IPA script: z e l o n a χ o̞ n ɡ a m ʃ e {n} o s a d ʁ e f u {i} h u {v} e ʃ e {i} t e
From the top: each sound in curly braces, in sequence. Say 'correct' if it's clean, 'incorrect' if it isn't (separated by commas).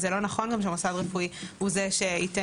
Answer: incorrect, correct, incorrect, correct